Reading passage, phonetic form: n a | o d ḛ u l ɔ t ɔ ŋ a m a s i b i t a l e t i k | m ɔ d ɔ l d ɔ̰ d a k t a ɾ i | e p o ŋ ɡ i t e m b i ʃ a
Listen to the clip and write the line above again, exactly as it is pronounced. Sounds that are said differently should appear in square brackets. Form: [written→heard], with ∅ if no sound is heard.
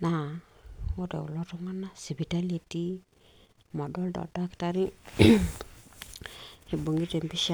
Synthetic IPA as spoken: n a | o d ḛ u l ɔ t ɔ ŋ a [m→n] a s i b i t a l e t i [k→∅] | m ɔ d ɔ l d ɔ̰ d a k t a ɾ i | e [p→b] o ŋ ɡ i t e m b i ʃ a